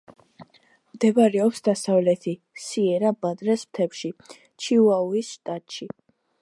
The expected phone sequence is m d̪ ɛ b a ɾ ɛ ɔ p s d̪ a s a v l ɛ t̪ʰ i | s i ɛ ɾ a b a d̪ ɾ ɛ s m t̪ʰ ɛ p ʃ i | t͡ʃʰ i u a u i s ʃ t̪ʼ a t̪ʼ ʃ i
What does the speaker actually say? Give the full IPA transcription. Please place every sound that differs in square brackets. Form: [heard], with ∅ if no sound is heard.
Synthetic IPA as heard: m d̪ ɛ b a ɾ ɛ ɔ p s d̪ a s a v l ɛ t̪ʰ i | s i ɛ ɾ a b a d̪ ɾ ɛ s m t̪ʰ ɛ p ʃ i | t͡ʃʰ i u a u i s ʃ t̪ʼ a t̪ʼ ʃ i